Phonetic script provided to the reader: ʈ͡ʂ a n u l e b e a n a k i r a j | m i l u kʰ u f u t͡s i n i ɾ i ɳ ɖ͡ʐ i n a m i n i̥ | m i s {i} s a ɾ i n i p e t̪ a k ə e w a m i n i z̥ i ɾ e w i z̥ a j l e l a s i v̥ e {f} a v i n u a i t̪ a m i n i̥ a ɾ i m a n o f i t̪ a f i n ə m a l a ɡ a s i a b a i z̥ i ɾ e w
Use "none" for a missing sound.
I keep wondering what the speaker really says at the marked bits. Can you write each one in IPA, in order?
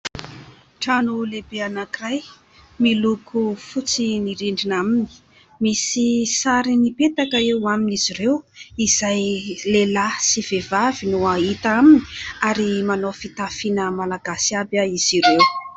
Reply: i, v

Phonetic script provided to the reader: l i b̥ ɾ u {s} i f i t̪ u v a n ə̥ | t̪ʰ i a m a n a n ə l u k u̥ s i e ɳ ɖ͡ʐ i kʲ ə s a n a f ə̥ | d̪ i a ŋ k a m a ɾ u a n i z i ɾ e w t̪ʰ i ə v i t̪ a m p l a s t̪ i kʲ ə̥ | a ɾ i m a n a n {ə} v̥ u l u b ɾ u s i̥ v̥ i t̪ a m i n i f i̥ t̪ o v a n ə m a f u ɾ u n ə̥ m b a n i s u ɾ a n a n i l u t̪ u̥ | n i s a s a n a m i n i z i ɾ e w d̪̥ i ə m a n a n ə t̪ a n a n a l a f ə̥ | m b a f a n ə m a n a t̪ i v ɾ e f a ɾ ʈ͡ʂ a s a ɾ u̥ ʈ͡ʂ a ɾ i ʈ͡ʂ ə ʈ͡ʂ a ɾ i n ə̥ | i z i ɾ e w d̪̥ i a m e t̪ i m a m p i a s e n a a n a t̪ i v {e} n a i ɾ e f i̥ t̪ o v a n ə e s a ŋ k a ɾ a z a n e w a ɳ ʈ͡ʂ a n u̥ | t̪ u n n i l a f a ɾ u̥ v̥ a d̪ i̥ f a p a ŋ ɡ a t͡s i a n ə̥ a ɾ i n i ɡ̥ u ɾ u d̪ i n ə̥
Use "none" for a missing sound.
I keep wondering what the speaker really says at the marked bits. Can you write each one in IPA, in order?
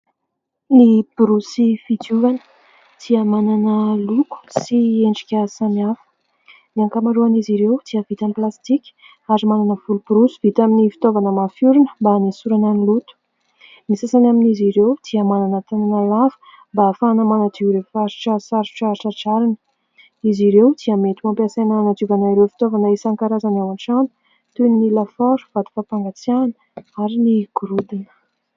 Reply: s, ə, a

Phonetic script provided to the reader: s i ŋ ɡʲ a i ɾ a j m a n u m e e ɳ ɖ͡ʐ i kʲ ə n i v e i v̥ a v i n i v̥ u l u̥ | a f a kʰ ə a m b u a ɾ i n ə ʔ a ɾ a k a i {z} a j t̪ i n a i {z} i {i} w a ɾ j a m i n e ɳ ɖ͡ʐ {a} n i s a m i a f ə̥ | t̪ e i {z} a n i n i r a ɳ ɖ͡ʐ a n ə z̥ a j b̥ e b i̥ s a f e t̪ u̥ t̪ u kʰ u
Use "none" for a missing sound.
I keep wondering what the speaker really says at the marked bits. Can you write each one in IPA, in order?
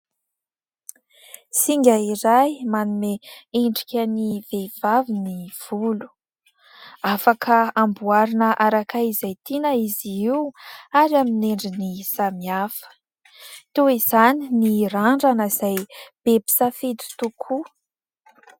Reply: z, z, i, i, z

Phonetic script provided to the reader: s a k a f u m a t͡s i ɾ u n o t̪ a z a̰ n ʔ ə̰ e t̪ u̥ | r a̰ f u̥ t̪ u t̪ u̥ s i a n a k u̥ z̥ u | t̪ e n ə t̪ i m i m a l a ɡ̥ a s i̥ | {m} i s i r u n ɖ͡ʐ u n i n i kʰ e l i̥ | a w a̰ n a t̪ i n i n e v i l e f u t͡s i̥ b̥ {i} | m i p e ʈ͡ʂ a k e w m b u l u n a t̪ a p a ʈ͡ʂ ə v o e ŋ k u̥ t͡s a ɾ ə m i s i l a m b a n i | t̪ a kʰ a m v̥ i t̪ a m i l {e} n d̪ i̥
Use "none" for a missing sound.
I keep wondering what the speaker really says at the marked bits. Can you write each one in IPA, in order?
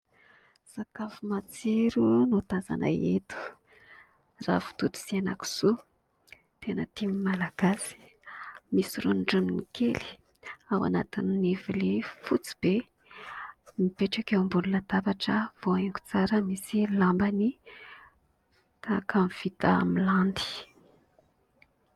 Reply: m, e, a

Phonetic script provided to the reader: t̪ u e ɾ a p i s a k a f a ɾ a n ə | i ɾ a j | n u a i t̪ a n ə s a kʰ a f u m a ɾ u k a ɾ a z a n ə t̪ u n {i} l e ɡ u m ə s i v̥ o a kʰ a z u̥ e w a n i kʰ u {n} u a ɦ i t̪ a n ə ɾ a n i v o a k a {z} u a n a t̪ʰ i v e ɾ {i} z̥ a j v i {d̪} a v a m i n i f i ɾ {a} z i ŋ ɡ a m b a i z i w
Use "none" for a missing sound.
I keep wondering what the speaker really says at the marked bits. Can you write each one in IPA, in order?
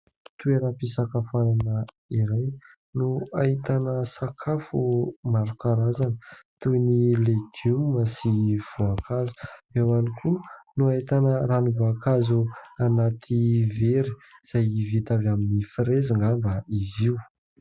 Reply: i, n, z, i, t̪, e

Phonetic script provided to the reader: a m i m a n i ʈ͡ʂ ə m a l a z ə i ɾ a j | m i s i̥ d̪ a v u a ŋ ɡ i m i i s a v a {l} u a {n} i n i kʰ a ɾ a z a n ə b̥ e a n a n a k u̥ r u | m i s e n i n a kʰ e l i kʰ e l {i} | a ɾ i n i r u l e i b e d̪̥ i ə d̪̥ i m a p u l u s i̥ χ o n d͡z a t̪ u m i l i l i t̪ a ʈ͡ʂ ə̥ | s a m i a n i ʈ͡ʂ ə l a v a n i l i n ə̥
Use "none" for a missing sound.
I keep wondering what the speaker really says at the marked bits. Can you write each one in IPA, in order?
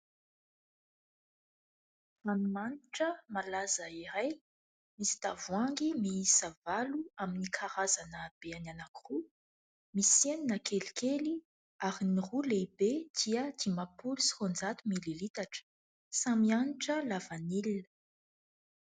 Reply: l, m, i

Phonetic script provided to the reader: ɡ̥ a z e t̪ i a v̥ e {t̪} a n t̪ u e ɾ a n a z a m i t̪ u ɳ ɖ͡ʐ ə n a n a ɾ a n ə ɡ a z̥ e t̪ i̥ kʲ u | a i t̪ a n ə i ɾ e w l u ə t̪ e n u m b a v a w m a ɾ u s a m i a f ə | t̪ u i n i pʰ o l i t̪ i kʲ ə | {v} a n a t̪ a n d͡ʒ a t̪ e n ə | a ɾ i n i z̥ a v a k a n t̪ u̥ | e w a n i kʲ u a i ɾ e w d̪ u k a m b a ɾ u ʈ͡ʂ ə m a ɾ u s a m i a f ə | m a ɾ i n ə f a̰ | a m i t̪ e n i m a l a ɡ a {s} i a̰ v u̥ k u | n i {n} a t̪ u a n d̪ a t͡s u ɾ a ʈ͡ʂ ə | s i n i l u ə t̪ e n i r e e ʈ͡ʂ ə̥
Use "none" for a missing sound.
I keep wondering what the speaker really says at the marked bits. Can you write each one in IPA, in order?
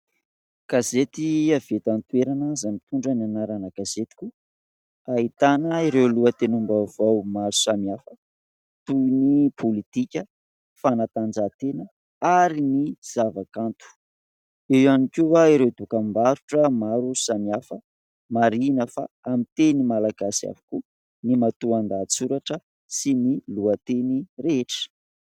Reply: t̪, f, s, m

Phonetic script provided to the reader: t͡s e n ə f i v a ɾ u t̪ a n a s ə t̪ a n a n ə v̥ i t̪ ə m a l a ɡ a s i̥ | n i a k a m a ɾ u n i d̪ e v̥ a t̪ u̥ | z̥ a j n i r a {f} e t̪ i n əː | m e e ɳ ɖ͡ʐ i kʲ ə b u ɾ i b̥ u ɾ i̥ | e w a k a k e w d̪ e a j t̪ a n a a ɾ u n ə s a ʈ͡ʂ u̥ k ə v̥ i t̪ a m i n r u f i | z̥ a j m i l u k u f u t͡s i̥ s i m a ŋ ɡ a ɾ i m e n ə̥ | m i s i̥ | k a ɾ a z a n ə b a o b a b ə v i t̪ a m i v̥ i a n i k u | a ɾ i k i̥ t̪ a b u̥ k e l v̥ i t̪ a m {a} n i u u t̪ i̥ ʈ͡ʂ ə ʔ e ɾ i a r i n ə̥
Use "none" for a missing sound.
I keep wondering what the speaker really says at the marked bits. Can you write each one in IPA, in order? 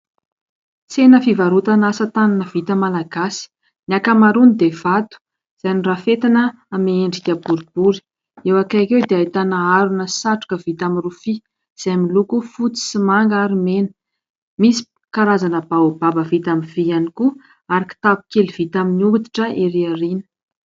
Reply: f, i

